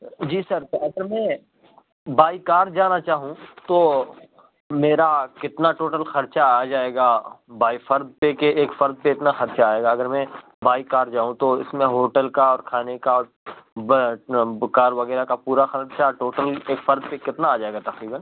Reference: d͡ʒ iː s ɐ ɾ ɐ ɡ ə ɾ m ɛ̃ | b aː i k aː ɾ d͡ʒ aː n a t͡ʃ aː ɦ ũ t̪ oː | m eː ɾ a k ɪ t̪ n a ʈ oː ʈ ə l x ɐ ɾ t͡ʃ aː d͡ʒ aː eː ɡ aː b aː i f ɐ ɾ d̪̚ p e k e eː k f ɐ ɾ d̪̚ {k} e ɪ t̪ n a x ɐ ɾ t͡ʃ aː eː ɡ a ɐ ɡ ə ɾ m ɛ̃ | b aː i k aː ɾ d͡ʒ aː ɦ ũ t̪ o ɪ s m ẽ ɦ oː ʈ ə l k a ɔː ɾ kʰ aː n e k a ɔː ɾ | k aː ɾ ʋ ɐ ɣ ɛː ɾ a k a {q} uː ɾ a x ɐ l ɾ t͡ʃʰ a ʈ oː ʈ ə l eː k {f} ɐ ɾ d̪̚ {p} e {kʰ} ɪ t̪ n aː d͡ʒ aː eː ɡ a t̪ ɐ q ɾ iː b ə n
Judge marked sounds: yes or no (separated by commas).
no, no, yes, yes, no